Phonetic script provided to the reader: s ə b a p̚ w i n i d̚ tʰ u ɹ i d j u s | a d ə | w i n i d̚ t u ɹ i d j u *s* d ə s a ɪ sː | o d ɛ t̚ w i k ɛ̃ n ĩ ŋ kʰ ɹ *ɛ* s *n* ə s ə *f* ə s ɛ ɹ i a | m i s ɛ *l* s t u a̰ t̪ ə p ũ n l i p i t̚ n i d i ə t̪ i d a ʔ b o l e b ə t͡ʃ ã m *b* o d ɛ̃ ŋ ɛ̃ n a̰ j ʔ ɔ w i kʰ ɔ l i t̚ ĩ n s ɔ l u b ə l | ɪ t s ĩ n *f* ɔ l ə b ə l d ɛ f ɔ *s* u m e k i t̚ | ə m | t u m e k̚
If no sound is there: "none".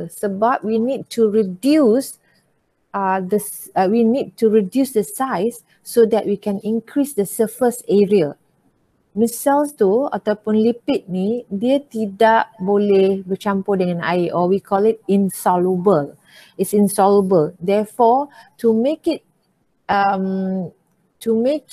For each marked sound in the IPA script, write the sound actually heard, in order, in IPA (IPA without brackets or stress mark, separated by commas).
s, i, d, f, l, p, s, t